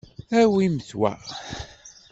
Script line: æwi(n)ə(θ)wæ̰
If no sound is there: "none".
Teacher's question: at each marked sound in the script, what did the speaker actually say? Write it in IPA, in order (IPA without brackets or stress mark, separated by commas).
m, θ